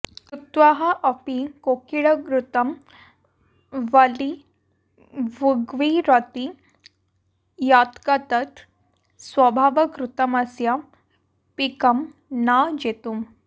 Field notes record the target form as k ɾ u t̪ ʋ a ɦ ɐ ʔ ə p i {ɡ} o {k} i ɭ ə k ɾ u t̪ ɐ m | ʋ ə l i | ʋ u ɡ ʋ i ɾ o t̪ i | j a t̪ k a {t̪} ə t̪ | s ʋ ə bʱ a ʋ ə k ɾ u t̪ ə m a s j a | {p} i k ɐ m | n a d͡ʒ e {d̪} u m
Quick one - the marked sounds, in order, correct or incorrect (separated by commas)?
incorrect, correct, correct, correct, incorrect